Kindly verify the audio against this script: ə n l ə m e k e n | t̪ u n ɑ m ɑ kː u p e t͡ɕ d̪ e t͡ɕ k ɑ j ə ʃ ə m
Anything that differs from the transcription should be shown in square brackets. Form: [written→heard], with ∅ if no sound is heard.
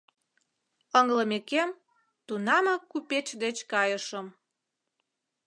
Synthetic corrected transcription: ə [n→ŋ] l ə m e k e [n→m] | t̪ u n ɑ m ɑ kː u p e t͡ɕ d̪ e t͡ɕ k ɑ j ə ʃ ə m